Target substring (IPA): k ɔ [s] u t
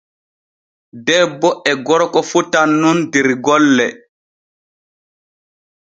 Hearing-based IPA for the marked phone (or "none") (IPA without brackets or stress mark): f